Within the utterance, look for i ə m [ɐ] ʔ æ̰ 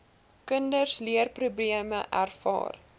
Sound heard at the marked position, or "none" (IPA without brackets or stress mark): ə